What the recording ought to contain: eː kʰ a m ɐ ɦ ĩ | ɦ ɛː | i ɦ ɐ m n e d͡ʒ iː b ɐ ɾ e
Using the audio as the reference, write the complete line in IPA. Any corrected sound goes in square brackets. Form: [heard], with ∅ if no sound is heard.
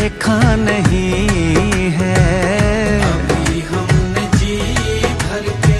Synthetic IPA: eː kʰ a [n] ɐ ɦ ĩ | ɦ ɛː | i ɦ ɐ m n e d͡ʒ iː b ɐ ɾ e